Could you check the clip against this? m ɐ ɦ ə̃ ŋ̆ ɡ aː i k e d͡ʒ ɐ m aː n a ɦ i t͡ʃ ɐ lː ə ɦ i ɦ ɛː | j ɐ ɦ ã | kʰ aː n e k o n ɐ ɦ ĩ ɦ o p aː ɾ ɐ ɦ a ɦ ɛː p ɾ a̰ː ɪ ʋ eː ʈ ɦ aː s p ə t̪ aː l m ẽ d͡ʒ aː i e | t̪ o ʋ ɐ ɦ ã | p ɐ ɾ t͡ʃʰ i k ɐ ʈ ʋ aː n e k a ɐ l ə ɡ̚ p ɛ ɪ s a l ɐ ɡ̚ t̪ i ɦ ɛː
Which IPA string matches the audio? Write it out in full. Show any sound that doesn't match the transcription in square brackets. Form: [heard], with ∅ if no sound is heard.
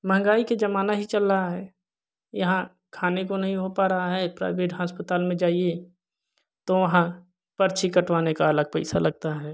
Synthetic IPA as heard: m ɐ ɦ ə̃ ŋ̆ ɡ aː i k e d͡ʒ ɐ m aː n a ɦ i t͡ʃ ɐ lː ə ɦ [a] ɦ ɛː | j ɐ ɦ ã | kʰ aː n e k o n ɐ ɦ ĩ ɦ o p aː ɾ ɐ ɦ a ɦ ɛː p ɾ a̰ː ɪ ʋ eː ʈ ɦ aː s p ə t̪ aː l m ẽ d͡ʒ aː i e | t̪ o ʋ ɐ ɦ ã | p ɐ ɾ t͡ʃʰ i k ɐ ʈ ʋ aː n e k a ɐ l ə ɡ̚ p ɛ ɪ s a l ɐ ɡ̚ t̪ [a] ɦ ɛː